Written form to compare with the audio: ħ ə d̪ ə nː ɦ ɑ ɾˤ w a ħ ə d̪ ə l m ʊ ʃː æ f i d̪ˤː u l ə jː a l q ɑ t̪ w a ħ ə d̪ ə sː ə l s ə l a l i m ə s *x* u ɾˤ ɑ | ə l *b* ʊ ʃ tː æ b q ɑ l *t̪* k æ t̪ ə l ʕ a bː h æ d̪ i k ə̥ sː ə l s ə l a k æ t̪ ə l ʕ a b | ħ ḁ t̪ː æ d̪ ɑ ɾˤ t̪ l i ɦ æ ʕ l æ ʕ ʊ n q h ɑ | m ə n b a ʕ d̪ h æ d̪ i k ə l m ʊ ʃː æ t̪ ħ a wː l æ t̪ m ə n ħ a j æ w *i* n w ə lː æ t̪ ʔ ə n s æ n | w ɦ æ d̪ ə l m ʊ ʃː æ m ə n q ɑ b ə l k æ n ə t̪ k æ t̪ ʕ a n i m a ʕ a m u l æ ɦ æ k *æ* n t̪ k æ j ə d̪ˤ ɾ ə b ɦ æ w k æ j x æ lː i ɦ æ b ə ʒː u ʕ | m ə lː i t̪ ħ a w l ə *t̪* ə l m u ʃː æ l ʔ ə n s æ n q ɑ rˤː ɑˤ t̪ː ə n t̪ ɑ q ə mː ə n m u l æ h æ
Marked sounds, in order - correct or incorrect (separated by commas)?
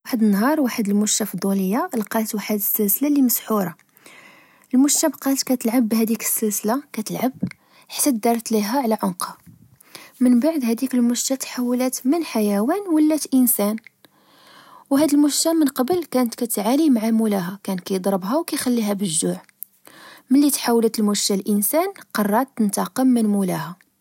incorrect, incorrect, correct, incorrect, correct, correct